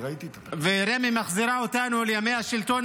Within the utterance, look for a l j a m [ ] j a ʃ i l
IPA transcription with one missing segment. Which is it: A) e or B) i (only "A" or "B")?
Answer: A